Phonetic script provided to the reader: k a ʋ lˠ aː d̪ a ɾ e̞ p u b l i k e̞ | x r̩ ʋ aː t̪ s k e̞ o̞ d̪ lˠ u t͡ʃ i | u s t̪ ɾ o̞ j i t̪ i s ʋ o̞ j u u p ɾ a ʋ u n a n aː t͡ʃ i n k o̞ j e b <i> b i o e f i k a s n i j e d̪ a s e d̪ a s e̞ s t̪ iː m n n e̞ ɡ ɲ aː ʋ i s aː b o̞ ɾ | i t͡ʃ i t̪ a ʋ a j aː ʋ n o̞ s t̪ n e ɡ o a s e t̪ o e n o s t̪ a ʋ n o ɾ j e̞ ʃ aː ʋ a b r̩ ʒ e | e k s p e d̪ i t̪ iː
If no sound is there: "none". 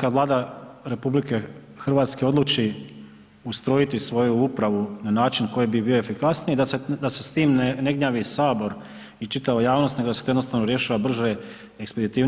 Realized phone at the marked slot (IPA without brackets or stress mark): i